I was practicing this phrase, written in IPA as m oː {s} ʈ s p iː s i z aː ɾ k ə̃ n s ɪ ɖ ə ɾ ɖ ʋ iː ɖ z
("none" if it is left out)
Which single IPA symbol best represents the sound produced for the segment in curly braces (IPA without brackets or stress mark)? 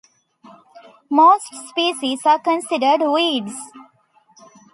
s